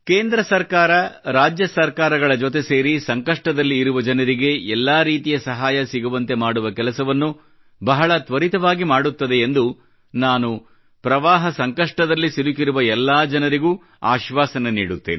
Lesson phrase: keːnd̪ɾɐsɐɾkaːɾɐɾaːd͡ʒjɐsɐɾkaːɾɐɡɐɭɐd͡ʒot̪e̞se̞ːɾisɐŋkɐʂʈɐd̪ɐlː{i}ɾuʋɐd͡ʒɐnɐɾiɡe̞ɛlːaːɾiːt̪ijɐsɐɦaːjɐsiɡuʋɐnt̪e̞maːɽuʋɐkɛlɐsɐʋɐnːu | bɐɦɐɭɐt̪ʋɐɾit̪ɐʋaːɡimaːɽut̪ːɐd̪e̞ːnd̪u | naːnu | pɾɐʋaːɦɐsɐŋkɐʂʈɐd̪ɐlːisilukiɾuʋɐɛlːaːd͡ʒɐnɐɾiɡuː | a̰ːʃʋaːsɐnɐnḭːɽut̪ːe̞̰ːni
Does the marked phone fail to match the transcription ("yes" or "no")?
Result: yes